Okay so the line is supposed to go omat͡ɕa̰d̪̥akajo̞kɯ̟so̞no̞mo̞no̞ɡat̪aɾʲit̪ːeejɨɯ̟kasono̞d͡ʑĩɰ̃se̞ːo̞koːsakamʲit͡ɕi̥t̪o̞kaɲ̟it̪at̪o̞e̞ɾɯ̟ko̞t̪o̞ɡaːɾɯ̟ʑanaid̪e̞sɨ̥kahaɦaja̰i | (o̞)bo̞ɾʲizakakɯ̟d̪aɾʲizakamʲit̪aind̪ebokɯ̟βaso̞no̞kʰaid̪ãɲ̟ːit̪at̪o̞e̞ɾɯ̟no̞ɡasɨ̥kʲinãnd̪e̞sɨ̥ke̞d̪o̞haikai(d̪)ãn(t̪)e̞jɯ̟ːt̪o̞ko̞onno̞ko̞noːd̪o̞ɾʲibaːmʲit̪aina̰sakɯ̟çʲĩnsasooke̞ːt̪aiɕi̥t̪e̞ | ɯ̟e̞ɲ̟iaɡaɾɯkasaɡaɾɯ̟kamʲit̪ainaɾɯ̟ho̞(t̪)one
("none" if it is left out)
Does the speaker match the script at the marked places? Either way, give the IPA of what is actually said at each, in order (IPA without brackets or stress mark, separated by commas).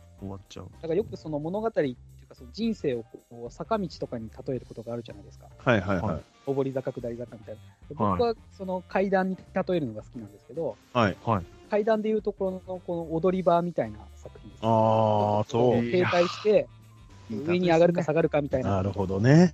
o̞, d̪, d̪, d̪